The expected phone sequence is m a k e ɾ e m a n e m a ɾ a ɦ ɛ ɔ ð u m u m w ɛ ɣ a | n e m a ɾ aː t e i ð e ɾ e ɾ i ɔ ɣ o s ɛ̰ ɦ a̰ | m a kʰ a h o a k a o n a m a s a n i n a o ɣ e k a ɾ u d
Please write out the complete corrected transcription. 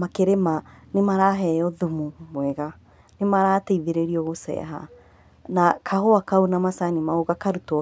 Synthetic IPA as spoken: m a k e ɾ e m a n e m a ɾ a ɦ ɛ ɔ ð u m u m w ɛ ɣ a | n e m a ɾ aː t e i ð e ɾ e ɾ i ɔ ɣ o s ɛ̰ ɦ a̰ | n a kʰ a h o a k a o n a m a s a n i m a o ɣ a k a ɾ u t